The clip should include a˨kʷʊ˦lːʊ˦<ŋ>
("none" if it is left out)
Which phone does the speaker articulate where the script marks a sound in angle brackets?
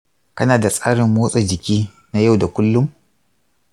m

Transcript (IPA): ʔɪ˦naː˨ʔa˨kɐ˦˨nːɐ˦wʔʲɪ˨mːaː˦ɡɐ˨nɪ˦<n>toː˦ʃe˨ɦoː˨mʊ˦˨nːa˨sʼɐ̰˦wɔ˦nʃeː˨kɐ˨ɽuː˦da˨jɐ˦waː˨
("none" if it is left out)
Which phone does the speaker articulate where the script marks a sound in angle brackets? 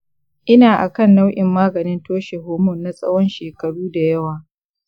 n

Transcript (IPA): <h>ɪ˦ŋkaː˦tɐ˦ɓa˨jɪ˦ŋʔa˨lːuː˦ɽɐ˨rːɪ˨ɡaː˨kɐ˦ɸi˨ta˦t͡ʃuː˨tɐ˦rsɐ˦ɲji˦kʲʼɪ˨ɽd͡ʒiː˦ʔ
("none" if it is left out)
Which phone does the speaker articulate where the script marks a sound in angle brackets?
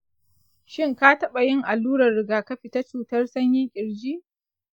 ʃ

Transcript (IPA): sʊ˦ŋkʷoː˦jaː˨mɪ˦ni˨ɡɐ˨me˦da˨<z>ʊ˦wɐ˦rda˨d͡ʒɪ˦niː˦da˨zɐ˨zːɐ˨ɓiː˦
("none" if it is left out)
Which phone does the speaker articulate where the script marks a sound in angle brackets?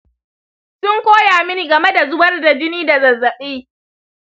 z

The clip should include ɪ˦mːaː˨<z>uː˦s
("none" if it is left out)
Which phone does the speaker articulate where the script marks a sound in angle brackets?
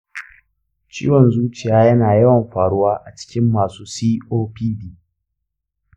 s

